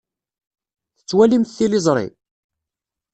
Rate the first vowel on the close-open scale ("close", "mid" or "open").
mid